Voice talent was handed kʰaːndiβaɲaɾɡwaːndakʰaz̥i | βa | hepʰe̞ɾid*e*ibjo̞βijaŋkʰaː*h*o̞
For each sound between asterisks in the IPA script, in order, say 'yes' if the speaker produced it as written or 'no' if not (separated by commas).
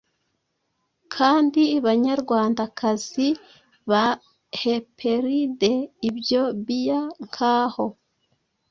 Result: yes, yes